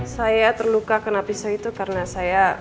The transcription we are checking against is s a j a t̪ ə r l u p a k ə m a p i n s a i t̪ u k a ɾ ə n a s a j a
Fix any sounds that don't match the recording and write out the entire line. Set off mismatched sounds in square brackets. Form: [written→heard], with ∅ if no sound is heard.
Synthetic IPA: s a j a t̪ ə r l u [p→k] a k ə [m→n] a p i [n→∅] s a i t̪ u k a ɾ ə n a s a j a